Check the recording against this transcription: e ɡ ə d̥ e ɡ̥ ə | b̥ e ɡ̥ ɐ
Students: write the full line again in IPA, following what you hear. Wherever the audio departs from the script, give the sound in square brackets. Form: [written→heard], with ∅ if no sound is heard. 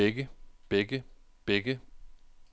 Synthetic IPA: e ɡ ə [d̥→b̥] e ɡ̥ ə | b̥ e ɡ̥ [ɐ→ə]